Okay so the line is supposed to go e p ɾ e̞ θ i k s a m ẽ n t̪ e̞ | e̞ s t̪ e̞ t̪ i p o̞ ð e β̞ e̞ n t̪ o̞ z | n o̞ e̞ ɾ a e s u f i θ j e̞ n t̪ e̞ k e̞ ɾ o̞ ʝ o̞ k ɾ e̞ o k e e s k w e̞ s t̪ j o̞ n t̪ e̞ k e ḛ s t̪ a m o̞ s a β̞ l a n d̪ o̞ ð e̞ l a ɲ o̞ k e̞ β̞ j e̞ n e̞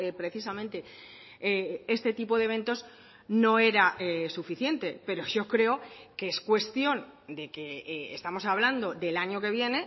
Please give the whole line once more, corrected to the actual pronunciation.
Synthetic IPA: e p ɾ e̞ θ i s a m ẽ n t̪ e̞ | e̞ s t̪ e̞ t̪ i p o̞ ð e β̞ e̞ n t̪ o̞ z | n o̞ e̞ ɾ a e s u f i θ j e̞ n t̪ e̞ p e̞ ɾ o̞ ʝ o̞ k ɾ e̞ o k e e s k w e̞ s t̪ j o̞ n d̪ e̞ k e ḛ s t̪ a m o̞ s a β̞ l a n d̪ o̞ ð e̞ l a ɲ o̞ k e̞ β̞ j e̞ n e̞